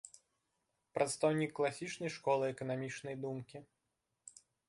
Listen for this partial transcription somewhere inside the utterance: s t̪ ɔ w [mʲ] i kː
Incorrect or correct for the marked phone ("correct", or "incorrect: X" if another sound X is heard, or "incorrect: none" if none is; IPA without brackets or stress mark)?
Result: incorrect: nʲ